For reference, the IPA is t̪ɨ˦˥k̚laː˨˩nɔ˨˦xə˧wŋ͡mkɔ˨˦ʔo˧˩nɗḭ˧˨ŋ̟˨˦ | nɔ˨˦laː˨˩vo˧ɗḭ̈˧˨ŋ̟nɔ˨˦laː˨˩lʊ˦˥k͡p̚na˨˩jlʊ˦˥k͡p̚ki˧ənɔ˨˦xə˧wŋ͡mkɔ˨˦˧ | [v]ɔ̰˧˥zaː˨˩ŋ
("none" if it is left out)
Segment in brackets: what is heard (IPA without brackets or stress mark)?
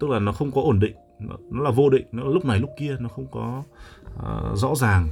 z